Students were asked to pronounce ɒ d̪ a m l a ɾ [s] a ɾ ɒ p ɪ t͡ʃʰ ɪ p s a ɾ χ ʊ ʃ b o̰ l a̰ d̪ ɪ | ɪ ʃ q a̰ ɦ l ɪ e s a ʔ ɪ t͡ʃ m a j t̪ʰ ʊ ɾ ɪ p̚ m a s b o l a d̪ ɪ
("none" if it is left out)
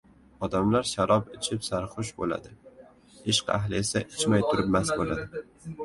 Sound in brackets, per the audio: ʃ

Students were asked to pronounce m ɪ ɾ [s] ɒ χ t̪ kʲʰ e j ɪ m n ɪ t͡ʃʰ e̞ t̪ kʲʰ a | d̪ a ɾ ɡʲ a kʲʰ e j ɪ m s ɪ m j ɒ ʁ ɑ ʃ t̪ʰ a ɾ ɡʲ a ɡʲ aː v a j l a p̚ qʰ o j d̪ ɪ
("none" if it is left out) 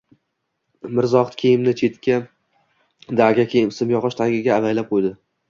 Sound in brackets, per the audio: z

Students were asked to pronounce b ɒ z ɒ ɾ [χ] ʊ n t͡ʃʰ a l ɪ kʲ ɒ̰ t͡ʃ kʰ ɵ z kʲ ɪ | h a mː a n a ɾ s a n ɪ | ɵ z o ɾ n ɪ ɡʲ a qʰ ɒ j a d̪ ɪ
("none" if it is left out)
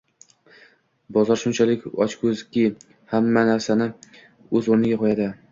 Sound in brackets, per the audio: ʃ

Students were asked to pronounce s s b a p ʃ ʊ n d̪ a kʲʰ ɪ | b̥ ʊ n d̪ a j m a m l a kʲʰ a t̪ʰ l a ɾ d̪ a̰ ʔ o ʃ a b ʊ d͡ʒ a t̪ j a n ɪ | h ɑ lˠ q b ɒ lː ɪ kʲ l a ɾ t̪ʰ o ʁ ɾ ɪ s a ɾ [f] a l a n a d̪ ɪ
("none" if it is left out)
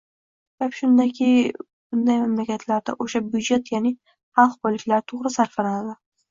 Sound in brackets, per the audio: f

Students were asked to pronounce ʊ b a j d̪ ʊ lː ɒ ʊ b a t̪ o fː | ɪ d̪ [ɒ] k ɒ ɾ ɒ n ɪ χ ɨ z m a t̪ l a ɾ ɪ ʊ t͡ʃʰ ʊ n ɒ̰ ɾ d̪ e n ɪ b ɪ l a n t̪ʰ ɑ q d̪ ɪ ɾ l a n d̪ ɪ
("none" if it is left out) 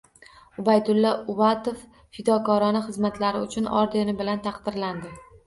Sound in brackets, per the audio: ɒ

